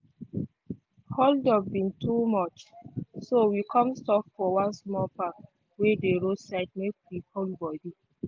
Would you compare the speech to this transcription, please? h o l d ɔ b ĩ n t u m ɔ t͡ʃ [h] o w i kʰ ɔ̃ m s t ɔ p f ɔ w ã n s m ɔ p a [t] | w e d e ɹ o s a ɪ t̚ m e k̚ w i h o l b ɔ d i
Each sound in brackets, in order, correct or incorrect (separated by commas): incorrect, incorrect